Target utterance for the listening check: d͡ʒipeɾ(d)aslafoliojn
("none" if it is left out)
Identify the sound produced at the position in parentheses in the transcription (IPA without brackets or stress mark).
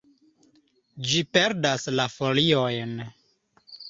d